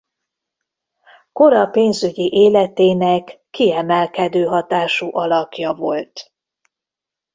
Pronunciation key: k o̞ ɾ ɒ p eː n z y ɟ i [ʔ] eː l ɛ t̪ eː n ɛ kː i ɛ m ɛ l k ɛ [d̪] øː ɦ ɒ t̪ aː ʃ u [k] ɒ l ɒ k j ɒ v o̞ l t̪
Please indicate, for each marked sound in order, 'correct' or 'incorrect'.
correct, correct, incorrect: ʔ

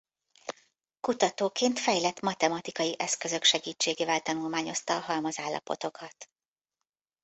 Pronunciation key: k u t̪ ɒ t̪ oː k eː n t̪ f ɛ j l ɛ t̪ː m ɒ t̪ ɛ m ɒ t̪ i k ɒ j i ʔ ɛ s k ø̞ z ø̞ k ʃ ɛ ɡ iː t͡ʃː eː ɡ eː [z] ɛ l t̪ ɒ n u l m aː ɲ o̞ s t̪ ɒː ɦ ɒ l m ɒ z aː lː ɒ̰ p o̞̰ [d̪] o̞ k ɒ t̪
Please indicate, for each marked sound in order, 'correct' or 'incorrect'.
incorrect: v, incorrect: t̪

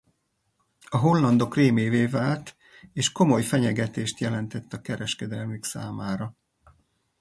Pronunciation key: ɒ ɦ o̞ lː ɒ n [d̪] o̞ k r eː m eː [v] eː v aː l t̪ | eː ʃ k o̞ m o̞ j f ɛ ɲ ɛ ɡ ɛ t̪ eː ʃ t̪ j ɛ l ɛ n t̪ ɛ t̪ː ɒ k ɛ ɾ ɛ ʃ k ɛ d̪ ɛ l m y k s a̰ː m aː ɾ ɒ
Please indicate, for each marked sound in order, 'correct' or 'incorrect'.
correct, correct

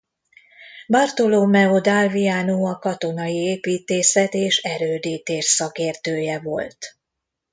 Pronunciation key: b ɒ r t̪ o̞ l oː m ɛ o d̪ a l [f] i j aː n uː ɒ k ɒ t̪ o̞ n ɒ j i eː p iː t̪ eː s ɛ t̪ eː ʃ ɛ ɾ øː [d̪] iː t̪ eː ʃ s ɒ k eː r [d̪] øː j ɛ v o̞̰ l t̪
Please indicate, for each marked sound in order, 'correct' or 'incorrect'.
incorrect: v, correct, incorrect: t̪

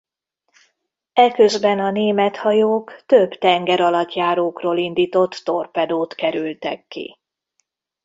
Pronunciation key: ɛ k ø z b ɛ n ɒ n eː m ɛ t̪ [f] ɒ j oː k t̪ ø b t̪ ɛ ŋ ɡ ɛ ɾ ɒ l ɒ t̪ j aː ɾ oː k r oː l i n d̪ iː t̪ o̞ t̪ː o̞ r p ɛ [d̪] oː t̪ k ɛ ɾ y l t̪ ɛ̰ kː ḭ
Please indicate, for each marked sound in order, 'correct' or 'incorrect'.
incorrect: h, correct

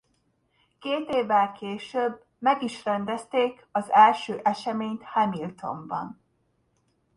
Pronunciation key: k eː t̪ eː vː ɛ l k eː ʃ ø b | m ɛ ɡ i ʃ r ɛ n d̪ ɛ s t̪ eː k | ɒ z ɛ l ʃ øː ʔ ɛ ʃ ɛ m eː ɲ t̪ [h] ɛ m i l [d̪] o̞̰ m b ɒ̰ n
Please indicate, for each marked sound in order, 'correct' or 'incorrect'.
correct, incorrect: t̪

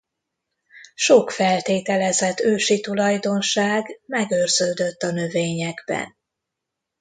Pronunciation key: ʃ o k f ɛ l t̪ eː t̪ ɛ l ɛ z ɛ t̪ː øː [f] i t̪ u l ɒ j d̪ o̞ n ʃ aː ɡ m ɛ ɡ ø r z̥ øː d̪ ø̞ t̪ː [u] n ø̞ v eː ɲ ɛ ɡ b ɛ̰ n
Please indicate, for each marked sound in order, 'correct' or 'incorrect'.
incorrect: ʃ, incorrect: ɒ

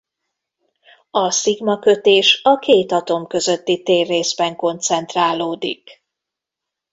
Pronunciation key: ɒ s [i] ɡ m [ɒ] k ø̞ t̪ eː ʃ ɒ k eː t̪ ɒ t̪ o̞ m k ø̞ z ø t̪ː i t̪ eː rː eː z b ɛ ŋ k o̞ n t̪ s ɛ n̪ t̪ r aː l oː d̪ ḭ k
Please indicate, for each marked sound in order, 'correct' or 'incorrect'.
correct, correct

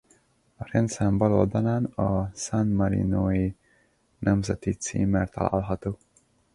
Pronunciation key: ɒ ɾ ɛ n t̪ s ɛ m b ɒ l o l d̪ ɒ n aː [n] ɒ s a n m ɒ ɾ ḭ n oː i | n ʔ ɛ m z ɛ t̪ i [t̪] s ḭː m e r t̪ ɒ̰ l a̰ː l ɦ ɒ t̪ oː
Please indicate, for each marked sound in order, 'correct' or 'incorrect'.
correct, correct

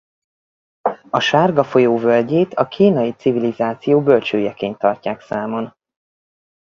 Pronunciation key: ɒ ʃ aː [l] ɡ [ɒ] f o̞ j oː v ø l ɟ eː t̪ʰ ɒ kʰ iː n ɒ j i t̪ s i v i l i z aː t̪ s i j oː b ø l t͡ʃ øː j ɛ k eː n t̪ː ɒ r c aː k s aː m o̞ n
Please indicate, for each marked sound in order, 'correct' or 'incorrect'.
incorrect: r, correct

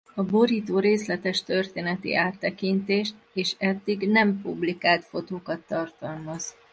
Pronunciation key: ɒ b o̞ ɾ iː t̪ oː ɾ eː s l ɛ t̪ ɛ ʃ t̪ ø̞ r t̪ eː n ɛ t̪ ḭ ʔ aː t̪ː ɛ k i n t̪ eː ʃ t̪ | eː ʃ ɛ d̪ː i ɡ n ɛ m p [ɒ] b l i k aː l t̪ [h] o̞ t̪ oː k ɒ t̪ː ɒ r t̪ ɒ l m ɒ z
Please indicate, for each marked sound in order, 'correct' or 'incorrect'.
incorrect: u, incorrect: f

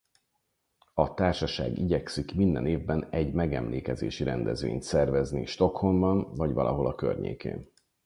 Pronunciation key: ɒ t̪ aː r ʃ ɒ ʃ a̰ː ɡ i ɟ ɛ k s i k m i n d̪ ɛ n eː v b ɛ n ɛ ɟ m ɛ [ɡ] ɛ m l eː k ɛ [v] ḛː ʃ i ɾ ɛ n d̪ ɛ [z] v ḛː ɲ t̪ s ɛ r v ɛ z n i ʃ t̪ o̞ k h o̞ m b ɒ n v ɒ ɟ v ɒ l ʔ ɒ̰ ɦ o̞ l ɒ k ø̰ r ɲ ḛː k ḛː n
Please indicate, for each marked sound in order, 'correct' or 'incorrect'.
correct, incorrect: z, correct

